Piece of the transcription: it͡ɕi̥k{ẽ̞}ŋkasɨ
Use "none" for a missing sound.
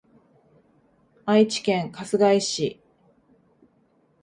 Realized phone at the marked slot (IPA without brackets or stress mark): ẽ̞